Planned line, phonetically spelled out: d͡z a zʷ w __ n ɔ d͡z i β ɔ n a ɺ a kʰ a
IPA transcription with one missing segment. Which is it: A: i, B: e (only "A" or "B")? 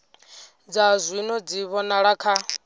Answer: A